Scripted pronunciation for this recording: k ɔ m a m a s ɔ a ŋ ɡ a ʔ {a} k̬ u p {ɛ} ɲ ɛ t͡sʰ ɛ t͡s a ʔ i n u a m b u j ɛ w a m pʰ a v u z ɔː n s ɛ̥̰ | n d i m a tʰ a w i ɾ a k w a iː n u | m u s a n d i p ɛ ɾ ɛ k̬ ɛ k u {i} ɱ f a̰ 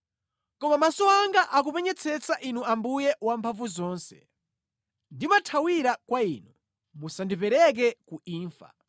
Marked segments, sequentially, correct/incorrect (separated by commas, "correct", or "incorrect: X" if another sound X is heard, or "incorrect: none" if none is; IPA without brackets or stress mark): correct, correct, incorrect: iː